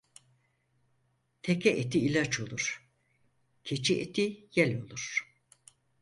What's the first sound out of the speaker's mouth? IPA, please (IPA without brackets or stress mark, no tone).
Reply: t̪ʰ